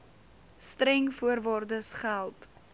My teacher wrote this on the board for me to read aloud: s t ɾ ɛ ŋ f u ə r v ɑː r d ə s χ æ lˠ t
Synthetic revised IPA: s t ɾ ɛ ŋ f u ə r v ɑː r d ə s χ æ lˠ t